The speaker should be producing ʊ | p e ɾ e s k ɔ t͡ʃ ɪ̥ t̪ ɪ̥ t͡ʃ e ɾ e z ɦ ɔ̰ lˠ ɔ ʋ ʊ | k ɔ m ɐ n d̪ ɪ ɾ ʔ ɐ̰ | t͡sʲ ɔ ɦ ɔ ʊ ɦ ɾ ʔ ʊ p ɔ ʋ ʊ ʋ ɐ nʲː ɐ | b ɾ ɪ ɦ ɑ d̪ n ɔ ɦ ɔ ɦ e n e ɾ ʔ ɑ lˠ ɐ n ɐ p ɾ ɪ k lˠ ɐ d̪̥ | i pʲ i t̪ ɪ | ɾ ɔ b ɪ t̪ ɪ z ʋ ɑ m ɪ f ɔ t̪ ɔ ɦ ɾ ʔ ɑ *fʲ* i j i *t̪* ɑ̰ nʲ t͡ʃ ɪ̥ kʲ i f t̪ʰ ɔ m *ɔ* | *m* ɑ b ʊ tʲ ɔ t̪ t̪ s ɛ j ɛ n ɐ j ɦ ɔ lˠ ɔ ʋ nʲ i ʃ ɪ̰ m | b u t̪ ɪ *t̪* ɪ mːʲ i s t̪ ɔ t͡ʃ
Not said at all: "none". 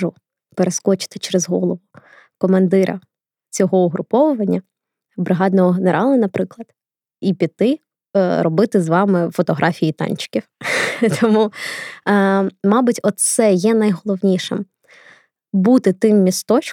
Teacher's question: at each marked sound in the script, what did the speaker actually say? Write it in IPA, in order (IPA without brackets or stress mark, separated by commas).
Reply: fʲ, t̪, u, m, t̪